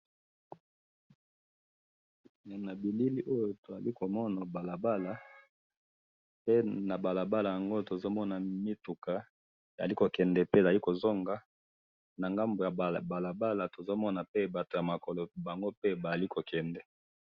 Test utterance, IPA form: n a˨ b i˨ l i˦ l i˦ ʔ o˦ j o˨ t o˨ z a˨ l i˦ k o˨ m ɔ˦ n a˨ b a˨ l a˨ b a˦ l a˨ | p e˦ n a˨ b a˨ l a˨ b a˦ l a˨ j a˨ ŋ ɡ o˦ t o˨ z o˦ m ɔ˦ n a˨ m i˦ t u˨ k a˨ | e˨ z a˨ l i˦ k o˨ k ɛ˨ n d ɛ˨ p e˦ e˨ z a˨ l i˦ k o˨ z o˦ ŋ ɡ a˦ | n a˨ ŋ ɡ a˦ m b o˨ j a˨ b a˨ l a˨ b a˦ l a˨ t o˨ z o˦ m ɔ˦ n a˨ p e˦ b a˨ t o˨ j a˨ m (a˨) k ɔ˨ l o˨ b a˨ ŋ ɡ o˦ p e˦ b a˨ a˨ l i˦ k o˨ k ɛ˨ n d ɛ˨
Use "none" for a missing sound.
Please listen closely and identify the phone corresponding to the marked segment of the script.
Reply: a˨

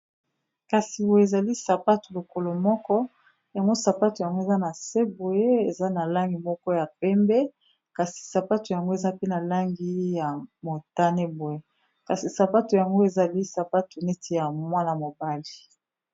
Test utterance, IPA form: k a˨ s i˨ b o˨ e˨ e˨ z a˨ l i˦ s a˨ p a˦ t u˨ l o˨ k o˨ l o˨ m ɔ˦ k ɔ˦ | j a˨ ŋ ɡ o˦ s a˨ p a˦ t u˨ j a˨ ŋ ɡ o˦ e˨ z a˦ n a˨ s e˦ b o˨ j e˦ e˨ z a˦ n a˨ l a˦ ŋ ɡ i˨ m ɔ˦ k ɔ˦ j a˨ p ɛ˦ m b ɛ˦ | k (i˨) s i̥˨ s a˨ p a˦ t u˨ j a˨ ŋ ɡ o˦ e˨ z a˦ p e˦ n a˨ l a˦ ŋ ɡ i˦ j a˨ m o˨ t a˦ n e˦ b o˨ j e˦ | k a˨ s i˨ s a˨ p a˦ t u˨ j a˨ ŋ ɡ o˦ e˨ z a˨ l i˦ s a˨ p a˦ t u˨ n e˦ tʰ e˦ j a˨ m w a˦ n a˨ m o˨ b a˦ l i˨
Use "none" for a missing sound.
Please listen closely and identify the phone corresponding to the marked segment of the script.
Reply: a˨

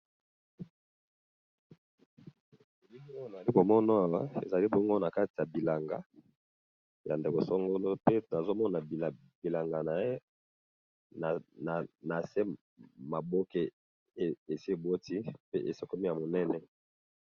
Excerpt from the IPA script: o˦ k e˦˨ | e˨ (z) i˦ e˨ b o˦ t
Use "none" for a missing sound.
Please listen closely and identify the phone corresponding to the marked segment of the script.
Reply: s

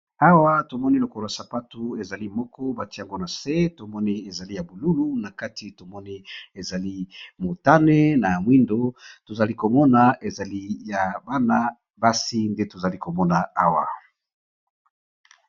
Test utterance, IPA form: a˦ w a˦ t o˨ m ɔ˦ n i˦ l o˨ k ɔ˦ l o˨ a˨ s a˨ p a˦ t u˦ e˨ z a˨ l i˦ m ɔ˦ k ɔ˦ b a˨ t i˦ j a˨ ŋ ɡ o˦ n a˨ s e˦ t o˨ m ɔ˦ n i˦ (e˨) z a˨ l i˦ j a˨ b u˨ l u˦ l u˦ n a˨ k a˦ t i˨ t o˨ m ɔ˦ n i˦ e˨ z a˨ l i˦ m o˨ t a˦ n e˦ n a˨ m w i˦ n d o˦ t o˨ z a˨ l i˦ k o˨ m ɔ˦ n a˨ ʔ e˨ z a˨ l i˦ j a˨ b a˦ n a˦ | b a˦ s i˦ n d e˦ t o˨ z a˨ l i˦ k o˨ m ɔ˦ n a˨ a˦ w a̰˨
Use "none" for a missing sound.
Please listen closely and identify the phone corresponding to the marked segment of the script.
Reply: e˨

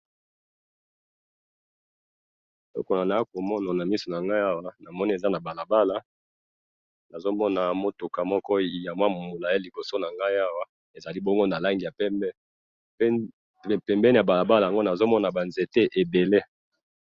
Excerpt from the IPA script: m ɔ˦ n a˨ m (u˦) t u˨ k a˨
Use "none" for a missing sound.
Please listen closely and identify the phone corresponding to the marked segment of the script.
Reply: o˦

